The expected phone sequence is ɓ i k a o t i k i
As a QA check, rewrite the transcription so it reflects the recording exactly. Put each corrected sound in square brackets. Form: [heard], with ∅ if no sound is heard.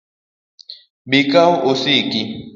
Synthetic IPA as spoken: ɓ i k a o [s] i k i

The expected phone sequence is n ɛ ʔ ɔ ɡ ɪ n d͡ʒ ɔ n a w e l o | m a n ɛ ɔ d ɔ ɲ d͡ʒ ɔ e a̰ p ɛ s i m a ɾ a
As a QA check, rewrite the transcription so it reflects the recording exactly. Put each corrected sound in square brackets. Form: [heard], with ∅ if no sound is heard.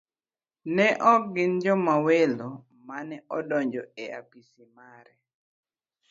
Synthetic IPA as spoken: n ɛ ʔ ɔ ɡ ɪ n d͡ʒ ɔ [m] a w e l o | m a n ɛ ɔ d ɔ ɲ d͡ʒ ɔ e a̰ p [i] s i m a ɾ [ɛ]

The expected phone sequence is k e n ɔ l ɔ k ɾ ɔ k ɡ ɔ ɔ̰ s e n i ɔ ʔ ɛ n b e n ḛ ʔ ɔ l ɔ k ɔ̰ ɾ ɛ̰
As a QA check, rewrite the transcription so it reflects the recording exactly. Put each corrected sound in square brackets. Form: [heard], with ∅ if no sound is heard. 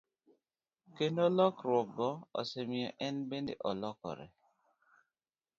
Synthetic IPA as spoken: k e n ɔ l ɔ k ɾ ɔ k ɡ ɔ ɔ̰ s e [m] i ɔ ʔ ɛ n b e n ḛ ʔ ɔ l ɔ k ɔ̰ ɾ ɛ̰

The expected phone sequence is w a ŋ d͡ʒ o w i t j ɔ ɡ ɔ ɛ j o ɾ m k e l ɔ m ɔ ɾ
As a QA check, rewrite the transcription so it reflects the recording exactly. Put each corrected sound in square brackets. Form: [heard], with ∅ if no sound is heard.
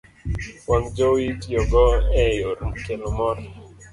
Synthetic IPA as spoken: w a ŋ d͡ʒ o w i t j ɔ ɡ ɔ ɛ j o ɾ m k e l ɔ m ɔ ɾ

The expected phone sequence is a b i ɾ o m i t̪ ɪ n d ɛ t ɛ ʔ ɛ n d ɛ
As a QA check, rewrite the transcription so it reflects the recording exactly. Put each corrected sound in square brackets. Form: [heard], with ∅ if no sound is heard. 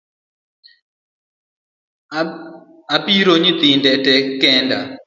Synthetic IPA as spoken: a [p] i ɾ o [ɲ] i t̪ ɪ n d ɛ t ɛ [k] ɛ n d [a]

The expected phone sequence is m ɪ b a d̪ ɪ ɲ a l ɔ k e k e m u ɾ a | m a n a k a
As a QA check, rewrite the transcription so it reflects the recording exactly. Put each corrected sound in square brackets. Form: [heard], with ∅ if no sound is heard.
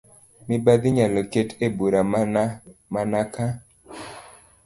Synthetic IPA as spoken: m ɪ b a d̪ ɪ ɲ a l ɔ k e [t] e [b] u ɾ a | m a n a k a

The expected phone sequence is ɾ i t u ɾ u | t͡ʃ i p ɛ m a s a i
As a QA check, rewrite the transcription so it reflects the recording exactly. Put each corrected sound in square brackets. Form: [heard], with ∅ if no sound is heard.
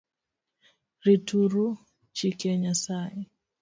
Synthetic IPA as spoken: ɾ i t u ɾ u | t͡ʃ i [k] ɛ [ɲ] a s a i

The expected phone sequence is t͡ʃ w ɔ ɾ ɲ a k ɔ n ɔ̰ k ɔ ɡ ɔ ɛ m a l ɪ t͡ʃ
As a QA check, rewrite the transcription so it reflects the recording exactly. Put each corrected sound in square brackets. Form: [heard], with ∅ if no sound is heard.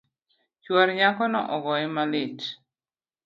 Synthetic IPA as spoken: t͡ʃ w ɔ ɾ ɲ a k ɔ n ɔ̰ [ʔ] ɔ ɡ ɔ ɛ m a l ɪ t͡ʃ

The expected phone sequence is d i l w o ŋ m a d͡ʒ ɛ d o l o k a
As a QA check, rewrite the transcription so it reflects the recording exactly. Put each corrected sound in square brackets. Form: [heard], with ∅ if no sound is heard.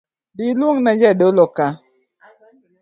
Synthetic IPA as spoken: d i l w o ŋ [n] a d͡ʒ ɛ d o l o k a

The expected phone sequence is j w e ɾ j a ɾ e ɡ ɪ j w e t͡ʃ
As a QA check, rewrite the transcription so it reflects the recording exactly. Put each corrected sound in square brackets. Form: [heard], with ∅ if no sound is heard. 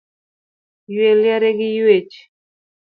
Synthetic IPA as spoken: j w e [l] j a ɾ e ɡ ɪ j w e t͡ʃ

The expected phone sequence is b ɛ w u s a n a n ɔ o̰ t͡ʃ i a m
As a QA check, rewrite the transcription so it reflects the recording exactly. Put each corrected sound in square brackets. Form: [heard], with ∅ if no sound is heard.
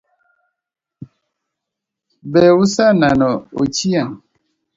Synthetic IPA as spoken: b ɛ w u s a n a n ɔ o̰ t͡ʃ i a [ŋ]

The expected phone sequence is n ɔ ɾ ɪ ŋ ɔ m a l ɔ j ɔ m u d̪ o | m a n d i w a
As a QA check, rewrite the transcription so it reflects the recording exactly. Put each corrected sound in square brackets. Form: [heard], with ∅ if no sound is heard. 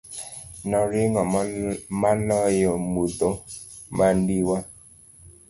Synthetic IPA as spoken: n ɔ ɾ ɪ ŋ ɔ m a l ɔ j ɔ m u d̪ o | m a n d i w a

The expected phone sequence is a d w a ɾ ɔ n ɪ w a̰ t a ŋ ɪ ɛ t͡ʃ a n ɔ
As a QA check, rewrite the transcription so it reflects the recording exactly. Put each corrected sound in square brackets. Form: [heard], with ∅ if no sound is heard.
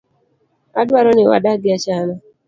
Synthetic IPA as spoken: a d w a ɾ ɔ n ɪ w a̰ [d] a [ɡ] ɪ [a] t͡ʃ a n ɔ

